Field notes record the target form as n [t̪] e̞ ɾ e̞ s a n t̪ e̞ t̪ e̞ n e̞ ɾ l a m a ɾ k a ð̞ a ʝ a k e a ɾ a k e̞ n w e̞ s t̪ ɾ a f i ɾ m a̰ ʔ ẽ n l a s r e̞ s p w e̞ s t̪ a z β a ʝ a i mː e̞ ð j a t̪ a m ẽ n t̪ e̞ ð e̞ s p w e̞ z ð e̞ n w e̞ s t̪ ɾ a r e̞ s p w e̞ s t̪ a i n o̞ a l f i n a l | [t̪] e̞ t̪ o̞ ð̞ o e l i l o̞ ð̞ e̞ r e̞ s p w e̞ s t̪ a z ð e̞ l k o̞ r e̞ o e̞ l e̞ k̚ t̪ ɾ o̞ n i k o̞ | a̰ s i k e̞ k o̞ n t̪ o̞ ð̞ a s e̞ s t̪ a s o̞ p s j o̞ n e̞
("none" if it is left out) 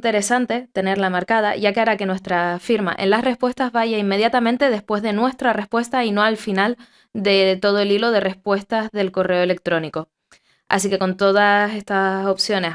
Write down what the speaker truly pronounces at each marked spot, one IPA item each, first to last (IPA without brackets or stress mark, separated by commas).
t̪, d̪